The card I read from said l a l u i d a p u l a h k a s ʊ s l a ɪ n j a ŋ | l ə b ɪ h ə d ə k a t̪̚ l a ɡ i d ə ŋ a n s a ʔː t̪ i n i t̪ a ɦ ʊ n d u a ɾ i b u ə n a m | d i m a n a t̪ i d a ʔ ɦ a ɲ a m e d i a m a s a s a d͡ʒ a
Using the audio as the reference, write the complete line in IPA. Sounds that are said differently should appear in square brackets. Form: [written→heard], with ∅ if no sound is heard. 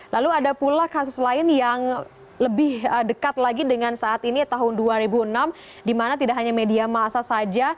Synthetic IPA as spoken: l a l u [i→a] d a p u l a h k a s ʊ s l a ɪ n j a ŋ | l ə b ɪ h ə d ə k a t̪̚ l a ɡ i d ə ŋ a n s a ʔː t̪ i n i t̪ a ɦ ʊ n d u a ɾ i b u ə n a m | d i m a n a t̪ i d a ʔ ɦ a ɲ a m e d i a m a s a s a d͡ʒ a